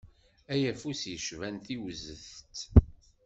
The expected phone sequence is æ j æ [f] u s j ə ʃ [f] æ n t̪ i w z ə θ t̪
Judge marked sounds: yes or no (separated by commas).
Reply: yes, no